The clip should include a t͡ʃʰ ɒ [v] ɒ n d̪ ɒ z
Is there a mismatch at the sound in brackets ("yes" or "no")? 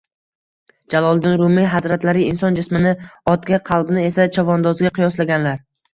no